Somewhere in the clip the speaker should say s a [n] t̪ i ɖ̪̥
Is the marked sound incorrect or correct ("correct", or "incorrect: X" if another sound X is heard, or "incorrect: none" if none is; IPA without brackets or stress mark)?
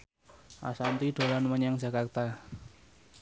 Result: correct